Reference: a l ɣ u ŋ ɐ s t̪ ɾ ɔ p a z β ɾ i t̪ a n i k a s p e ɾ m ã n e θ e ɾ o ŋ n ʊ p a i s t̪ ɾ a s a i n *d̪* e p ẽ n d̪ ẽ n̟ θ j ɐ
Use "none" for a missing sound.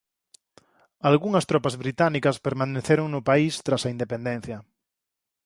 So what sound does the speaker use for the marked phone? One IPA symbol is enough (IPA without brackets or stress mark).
d̪